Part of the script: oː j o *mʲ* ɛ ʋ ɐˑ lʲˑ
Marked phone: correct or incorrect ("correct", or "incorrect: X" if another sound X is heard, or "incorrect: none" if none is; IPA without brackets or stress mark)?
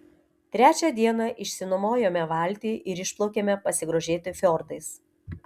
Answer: correct